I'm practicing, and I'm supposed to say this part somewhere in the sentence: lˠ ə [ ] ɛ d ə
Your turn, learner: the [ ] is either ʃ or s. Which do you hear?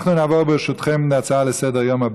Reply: s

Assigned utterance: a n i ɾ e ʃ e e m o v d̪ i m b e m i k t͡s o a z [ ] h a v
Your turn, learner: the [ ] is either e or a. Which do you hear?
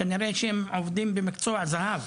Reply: a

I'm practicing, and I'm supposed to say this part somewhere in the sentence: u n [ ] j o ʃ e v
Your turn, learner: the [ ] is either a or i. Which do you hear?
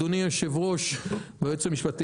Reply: i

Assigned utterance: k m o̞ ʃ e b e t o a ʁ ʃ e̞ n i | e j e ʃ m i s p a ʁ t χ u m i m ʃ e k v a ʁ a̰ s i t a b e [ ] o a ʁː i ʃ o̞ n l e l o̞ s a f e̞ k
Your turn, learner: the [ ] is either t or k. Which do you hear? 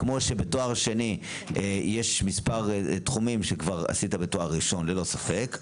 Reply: t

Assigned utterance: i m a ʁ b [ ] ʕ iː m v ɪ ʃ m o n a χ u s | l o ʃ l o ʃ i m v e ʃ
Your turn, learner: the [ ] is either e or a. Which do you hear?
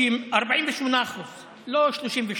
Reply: a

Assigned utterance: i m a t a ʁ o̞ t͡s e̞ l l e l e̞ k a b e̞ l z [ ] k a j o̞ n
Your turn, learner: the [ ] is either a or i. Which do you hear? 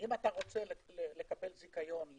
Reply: i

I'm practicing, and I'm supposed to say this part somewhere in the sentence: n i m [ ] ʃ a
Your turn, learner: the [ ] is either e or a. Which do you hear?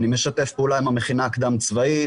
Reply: e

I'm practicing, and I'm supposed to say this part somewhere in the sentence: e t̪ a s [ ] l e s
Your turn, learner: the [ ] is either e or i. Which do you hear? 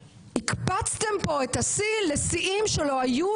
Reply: i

